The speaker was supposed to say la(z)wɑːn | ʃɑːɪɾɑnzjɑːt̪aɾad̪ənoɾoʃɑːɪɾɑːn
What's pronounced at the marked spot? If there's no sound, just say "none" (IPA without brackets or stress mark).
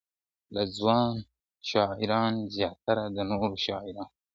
z